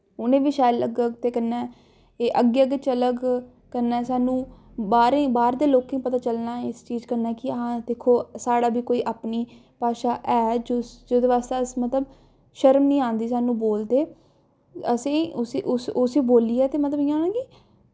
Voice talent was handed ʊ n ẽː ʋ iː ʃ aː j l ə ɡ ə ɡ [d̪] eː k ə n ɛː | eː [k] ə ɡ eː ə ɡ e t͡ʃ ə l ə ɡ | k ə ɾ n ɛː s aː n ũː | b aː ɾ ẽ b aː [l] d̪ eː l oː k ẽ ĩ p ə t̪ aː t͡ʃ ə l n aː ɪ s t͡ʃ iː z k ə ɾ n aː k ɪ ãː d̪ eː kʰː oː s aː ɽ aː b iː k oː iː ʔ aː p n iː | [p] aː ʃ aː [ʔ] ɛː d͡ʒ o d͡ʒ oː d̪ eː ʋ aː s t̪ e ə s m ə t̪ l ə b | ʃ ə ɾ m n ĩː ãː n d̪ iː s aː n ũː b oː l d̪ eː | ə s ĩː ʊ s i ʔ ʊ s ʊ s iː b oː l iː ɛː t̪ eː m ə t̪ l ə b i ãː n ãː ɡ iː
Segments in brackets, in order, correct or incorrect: incorrect: t̪, incorrect: ʔ, incorrect: ɾ, correct, correct

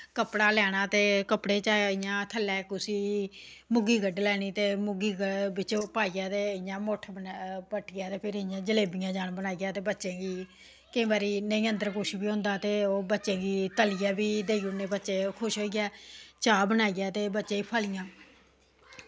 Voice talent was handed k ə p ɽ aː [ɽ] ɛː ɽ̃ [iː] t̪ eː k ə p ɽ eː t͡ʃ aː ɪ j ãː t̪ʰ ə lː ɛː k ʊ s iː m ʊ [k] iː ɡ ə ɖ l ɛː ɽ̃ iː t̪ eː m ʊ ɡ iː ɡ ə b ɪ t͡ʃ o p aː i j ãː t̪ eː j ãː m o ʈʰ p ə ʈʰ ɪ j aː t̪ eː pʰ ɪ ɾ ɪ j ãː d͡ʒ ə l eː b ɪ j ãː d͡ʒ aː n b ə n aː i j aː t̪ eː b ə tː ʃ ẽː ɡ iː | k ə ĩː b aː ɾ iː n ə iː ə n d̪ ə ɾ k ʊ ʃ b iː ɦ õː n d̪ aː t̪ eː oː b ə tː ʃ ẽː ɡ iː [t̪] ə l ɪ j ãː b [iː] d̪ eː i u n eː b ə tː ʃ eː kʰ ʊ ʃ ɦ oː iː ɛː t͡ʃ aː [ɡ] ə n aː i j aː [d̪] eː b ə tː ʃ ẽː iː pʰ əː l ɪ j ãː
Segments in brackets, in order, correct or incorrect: incorrect: l, incorrect: aː, incorrect: ɡ, correct, correct, incorrect: b, incorrect: t̪

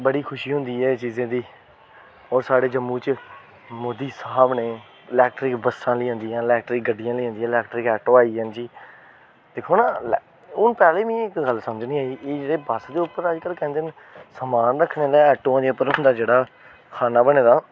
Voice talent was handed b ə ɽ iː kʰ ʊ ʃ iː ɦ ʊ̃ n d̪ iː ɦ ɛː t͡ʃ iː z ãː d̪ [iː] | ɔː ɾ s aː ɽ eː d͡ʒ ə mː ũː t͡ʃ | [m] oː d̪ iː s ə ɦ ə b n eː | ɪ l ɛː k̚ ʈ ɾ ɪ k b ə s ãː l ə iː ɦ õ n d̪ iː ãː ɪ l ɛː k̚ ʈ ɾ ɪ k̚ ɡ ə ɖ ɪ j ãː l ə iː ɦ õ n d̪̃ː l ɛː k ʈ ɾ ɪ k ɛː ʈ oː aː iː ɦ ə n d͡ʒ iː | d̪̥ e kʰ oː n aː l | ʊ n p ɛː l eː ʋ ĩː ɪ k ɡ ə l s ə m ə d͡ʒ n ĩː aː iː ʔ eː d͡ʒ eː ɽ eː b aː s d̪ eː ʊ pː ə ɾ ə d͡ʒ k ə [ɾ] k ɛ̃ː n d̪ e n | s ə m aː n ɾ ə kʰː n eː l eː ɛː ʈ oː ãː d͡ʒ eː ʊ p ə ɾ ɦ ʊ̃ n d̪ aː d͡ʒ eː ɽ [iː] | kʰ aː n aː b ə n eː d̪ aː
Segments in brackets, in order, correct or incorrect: correct, correct, incorrect: l, incorrect: aː

